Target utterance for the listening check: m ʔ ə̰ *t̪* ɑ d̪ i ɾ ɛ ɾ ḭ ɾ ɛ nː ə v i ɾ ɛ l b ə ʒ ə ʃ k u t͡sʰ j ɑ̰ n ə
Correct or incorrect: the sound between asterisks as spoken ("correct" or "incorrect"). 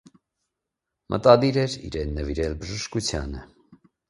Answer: correct